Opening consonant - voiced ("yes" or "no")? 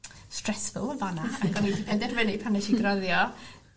no